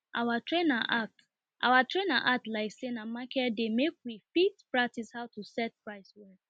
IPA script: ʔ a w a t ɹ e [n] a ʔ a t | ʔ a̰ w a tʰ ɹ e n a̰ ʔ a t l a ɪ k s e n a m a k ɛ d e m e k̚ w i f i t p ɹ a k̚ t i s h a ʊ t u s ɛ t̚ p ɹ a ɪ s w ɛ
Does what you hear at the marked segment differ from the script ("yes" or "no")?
no